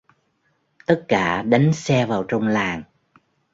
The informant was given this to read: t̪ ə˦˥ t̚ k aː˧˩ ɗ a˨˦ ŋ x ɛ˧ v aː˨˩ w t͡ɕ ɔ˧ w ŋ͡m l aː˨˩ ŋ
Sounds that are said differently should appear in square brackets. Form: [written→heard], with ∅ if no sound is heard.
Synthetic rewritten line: t̪ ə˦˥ t̚ k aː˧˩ ɗ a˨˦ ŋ [x→s] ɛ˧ v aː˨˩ w t͡ɕ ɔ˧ w ŋ͡m l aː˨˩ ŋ